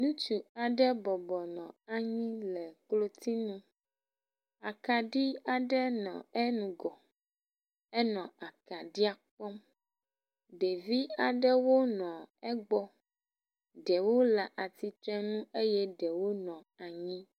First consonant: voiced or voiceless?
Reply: voiced